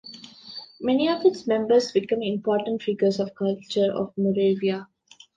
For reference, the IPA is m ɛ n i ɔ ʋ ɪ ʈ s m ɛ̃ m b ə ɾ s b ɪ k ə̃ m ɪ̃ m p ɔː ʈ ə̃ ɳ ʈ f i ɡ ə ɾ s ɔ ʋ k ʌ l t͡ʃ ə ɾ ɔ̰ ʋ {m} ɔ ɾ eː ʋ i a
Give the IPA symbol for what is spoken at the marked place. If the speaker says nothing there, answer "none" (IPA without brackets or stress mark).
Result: m